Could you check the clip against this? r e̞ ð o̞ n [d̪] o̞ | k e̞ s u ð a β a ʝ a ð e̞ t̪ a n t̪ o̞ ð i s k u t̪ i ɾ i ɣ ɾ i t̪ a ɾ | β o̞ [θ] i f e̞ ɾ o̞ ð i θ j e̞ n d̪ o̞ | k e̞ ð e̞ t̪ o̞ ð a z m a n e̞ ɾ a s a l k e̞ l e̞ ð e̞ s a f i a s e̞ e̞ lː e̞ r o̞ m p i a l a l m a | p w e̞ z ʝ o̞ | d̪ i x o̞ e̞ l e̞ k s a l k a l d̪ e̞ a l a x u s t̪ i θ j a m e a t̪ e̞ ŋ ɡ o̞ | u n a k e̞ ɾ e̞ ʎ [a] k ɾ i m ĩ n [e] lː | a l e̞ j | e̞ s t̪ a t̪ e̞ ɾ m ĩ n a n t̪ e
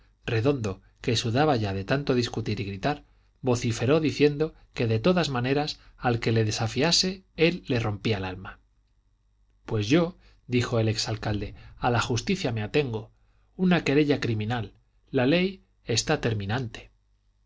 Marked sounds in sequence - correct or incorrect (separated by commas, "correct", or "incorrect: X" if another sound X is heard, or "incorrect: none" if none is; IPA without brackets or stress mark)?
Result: correct, correct, correct, incorrect: a